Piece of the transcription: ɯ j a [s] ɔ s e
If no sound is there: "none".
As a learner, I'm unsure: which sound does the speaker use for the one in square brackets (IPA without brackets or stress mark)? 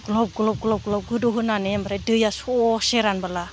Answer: s